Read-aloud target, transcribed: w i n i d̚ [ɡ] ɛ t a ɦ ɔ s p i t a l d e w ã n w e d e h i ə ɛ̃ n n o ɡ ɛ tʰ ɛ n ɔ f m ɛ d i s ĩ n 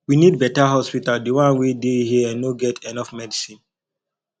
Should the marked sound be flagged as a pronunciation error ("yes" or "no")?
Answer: yes